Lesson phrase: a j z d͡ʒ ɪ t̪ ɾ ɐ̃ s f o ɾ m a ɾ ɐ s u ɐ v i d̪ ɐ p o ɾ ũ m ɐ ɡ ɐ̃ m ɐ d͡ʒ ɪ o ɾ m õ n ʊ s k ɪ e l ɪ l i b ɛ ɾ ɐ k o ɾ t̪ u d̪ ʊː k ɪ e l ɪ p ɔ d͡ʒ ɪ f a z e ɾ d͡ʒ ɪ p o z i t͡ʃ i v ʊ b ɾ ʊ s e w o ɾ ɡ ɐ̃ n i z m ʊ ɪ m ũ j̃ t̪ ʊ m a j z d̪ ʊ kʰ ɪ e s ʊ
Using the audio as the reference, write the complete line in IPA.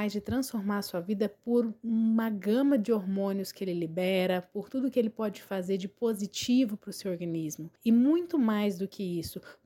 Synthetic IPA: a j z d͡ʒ ɪ t̪ ɾ ɐ̃ s f o ɾ m a ɾ ɐ s u ɐ v i d̪ ɐ p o ɾ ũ m ɐ ɡ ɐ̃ m ɐ d͡ʒ ɪ o ɾ m õ n ʊ s k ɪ e l ɪ l i b ɛ ɾ ɐ p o ɾ t̪ u d̪ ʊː k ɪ e l ɪ p ɔ d͡ʒ ɪ f a z e ɾ d͡ʒ ɪ p o z i t͡ʃ i v ʊ p ɾ ʊ s e w o ɾ ɡ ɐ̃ n i z m ʊ ɪ m ũ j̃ t̪ ʊ m a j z d̪ ʊ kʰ ɪ i s ʊ